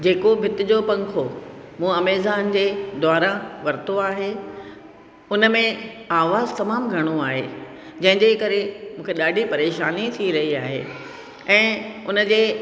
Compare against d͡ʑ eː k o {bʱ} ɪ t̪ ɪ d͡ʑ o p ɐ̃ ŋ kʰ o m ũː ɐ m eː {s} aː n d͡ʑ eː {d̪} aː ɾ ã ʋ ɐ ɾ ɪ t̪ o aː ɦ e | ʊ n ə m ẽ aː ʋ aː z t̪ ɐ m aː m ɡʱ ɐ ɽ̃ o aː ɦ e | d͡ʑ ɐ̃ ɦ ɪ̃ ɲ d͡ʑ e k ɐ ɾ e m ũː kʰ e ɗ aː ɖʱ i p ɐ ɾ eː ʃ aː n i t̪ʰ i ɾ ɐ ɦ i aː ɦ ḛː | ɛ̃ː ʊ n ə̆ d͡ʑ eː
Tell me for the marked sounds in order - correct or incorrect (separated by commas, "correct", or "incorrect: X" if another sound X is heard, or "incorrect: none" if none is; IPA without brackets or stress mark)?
correct, incorrect: z, correct